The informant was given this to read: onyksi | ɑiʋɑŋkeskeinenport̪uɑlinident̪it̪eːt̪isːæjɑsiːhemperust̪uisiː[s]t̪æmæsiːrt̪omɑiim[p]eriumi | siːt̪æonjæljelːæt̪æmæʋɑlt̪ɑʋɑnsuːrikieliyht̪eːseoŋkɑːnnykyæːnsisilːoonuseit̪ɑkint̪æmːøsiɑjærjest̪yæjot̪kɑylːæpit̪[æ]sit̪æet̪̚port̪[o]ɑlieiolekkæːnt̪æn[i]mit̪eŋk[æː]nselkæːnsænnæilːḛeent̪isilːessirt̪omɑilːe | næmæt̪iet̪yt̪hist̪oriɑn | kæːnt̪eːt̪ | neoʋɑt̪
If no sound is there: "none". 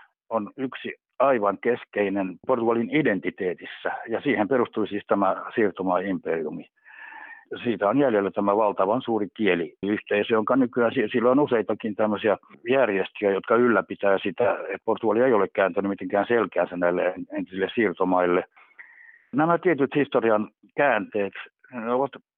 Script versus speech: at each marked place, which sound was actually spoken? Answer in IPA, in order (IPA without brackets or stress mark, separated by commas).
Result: s, p, æː, u, y, æː